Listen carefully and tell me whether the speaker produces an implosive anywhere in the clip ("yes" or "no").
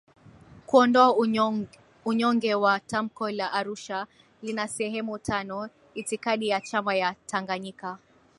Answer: yes